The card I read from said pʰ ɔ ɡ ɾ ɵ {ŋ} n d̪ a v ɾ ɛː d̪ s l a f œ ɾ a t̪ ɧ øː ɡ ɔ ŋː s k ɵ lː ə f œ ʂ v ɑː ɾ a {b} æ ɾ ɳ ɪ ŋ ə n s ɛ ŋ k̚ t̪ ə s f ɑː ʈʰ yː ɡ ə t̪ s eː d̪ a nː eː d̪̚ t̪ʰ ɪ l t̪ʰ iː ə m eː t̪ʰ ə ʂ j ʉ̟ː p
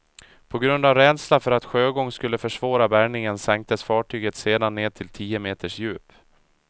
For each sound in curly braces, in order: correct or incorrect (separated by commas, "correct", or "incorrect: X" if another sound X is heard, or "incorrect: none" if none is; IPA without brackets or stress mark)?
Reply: incorrect: none, correct